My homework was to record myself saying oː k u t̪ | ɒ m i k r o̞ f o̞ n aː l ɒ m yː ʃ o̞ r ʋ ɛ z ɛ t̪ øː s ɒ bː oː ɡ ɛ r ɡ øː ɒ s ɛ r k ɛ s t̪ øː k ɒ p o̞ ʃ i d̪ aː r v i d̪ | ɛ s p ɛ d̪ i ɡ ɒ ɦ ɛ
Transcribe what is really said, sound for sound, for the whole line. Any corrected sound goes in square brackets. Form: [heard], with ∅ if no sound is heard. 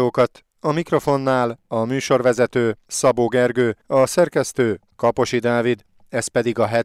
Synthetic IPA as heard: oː k [ɒ] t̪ | ɒ m i k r o̞ f o̞ [nː] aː l ɒ m yː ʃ o̞ r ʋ ɛ z ɛ t̪ øː s ɒ [b] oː ɡ ɛ r ɡ øː ɒ s ɛ r k ɛ s t̪ øː k ɒ p o̞ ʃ i d̪ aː [∅] v i d̪ | ɛ s p ɛ d̪ i ɡ ɒ ɦ ɛ